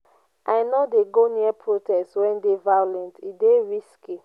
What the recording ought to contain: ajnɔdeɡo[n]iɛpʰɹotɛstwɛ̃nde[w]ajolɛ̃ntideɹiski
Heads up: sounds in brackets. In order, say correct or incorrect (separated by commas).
correct, incorrect